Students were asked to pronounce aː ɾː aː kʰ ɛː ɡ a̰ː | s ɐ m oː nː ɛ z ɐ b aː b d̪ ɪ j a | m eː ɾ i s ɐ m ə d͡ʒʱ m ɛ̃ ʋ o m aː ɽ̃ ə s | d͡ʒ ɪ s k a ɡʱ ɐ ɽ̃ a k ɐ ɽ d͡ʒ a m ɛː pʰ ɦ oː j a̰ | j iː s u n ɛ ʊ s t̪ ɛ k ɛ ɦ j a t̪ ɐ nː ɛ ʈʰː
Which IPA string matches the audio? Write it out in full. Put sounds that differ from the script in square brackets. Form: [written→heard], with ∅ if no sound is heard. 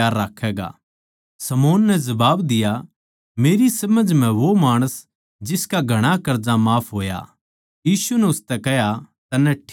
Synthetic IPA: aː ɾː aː kʰ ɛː ɡ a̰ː | s ɐ m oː nː ɛ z ɐ b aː b d̪ ɪ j a | m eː ɾ i s ɐ m ə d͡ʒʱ m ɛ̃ ʋ o m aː ɽ̃ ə s | d͡ʒ ɪ s k a ɡʱ ɐ ɽ̃ a k ɐ [ɽ→ɾ] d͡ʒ a m [ɛː→aː] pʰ ɦ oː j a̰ | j iː s u n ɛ ʊ s t̪ ɛ k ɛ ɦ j a t̪ ɐ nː ɛ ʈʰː